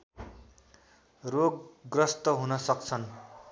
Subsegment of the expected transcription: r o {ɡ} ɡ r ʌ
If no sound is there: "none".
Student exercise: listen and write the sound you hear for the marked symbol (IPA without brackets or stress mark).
ɡ